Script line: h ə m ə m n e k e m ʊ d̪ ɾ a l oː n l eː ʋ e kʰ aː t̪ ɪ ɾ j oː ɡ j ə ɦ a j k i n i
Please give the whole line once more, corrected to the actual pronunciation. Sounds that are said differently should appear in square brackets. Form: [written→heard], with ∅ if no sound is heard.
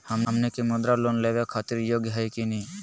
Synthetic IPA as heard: h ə m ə m n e k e m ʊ d̪ ɾ a l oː n l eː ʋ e kʰ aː t̪ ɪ ɾ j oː ɡ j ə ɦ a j k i n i